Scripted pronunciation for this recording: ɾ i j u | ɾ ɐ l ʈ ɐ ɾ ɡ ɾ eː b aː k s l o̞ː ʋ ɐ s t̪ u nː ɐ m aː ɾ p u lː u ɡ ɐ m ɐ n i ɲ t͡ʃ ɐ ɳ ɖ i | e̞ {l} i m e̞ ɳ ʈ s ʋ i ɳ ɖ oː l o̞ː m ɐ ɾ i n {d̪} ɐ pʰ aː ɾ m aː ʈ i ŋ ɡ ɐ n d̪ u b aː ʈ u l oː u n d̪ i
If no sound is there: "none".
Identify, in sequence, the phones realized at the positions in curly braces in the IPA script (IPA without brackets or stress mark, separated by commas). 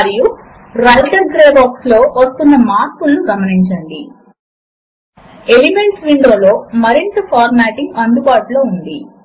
l, t̪